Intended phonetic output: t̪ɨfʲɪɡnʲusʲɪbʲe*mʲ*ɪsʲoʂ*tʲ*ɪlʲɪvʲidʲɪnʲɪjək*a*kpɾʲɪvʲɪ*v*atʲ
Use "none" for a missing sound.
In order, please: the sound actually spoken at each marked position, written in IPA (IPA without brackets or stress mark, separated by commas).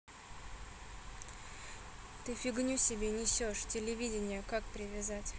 nʲ, tʲ, a, z